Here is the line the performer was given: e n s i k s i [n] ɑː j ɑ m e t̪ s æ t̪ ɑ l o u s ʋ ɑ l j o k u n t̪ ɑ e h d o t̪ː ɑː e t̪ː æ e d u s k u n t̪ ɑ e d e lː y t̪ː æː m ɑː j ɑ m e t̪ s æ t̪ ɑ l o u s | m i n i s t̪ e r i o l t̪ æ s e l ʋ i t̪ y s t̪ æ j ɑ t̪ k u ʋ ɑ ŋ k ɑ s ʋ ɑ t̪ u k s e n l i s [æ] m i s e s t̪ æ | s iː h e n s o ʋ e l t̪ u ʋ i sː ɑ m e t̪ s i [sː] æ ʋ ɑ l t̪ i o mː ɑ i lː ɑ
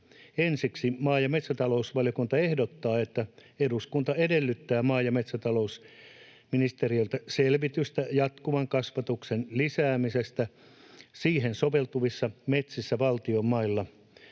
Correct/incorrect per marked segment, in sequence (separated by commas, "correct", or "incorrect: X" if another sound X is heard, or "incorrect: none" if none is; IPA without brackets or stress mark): incorrect: m, incorrect: æː, correct